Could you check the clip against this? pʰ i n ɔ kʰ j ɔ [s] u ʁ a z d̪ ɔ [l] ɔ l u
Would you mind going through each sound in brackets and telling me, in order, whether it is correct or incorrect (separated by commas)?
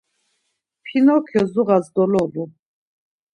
incorrect, correct